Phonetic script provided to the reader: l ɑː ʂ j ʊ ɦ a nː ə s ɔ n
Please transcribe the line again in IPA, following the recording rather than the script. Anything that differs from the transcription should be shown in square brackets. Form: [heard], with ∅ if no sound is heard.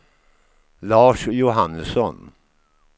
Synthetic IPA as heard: l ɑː ʂ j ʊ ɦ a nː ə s ɔ n